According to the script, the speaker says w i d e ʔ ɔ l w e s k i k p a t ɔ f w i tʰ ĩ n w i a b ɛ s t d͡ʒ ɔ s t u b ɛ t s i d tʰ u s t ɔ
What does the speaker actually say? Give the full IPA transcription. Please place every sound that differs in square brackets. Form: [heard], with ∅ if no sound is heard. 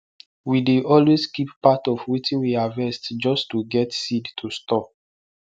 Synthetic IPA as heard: w i d e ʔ ɔ l w e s k i [p] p a t ɔ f w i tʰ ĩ n w i a [v] ɛ s t d͡ʒ ɔ s t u [ɡ] ɛ t s i d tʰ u s t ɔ

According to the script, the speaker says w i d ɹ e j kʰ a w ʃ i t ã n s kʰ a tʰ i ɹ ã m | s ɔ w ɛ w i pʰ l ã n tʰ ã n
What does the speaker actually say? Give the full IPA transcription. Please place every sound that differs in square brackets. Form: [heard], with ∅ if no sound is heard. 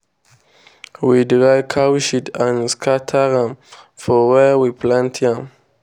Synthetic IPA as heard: w i d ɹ [a] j kʰ a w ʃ i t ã n s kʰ a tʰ [a] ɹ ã m | [f] ɔ w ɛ w i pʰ l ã n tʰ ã [m]

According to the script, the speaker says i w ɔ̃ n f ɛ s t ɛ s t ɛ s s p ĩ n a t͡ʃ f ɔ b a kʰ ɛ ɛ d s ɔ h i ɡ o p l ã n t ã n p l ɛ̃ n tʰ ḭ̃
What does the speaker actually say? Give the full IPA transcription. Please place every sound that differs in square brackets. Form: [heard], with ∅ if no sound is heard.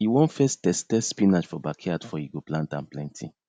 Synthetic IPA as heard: i w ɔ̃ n f ɛ s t ɛ s t ɛ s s p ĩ n a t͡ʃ f ɔ b a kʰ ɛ [a] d [f] ɔ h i ɡ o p l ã n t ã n p l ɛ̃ n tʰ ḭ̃

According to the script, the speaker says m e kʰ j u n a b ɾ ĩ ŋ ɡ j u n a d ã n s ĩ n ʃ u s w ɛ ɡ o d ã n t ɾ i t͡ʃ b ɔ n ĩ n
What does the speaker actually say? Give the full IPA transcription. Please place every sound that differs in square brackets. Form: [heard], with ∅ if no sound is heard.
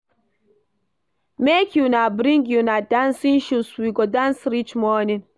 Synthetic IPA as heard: m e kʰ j u n a b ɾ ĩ ŋ ɡ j u n a d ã n s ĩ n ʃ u s w [i] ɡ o d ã n [s] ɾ i t͡ʃ [m] ɔ n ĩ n

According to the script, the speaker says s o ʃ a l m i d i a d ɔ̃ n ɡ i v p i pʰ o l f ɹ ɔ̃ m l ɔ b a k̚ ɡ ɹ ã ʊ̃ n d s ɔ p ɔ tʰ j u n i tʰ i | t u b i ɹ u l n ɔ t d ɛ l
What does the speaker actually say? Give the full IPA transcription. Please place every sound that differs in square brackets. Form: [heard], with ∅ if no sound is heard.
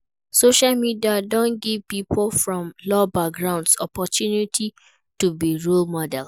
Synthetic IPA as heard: s o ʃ a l m i d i a d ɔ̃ n ɡ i v p i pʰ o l f ɹ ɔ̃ m l ɔ b a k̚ ɡ ɹ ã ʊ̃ n d s ɔ p ɔ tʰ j u n i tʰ i | t u b i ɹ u l [m] ɔ [∅] d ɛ l

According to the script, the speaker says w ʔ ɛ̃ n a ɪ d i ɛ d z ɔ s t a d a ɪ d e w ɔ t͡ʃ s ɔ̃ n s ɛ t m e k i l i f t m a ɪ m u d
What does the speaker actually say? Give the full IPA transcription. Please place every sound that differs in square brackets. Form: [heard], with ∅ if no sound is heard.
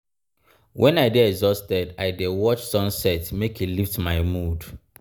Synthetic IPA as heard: w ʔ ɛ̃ n a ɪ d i ɛ [ɡ] z ɔ s t [ɛ] d a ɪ d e w ɔ t͡ʃ s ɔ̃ n s ɛ t m e k i l i f t m a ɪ m u d

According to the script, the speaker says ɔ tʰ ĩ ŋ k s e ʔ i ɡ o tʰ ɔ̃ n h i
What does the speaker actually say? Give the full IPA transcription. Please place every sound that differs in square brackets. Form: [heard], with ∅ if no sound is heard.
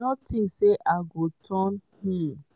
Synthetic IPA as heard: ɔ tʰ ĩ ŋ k s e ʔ [a] ɡ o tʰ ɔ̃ n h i

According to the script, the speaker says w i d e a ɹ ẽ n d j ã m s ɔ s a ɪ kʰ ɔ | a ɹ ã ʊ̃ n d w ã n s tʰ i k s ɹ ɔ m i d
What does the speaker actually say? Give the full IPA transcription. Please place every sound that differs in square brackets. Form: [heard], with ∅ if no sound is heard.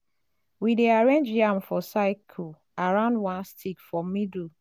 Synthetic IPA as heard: w i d e a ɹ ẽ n [d͡ʒ] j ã m [f] ɔ s a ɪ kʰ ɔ | a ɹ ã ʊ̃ n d w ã n s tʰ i k [f] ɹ ɔ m i d

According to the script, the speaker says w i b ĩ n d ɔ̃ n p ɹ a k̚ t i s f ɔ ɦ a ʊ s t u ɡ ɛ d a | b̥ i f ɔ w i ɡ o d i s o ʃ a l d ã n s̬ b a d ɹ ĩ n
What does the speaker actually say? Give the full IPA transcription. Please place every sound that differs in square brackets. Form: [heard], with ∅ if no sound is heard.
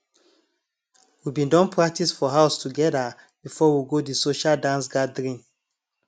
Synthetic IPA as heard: w i b ĩ n d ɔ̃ n p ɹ a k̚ t i s f ɔ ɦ a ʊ s t u ɡ ɛ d a | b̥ i f ɔ w i ɡ o d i s o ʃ a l d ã n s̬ [ɡ] a d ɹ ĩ n

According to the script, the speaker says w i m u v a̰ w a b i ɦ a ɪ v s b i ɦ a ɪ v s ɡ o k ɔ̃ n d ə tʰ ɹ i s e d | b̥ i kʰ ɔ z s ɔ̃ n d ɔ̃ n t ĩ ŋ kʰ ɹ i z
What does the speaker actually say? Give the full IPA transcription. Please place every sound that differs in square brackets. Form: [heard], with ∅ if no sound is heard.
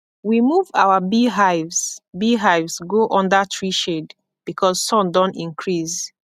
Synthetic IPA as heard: w i m u v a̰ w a b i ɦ a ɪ v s b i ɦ a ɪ v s ɡ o [ʔ] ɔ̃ n d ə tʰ ɹ i [ʃ] e d | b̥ i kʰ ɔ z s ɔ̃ n d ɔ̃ n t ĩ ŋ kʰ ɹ i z

